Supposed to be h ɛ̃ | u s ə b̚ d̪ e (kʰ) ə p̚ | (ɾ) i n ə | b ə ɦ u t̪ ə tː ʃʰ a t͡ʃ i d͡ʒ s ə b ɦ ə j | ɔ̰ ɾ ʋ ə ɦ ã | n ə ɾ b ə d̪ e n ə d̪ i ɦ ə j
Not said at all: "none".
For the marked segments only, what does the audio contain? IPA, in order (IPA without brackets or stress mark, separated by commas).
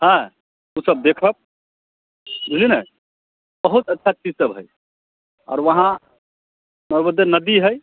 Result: kʰ, l